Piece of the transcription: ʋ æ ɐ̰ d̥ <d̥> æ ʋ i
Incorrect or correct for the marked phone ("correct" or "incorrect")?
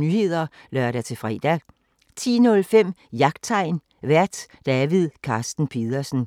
correct